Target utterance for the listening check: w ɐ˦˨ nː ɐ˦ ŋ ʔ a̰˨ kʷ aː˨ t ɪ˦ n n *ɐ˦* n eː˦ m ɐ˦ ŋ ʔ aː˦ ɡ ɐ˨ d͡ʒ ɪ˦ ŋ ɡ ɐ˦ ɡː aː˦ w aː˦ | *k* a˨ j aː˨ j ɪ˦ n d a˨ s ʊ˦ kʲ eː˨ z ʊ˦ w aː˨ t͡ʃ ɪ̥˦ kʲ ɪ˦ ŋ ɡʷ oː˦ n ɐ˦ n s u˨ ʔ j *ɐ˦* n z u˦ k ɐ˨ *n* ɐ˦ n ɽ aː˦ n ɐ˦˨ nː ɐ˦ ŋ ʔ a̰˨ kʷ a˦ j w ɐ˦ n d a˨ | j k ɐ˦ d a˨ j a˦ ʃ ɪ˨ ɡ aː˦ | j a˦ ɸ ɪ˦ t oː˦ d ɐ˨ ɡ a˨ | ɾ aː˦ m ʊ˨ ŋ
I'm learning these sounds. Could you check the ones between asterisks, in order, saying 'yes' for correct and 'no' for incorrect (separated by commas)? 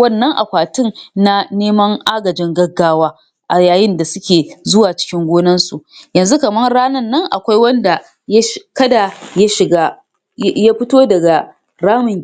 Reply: no, no, no, no